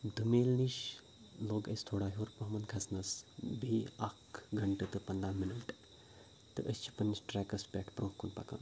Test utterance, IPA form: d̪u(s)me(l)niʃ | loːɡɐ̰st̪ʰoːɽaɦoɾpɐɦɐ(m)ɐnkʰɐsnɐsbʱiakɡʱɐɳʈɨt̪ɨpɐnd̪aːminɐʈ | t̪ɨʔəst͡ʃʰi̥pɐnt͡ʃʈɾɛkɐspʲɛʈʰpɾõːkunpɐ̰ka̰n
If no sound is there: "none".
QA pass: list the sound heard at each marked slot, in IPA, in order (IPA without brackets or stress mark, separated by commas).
none, l, m